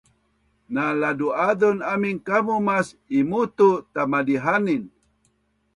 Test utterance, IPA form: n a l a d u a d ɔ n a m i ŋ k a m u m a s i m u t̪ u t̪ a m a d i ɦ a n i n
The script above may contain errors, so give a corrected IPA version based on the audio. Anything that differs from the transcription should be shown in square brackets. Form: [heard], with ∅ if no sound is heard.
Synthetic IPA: n a l a d u a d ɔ n a m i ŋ k a m u m a s i m u t̪ u t̪ a m a d i ɦ a n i n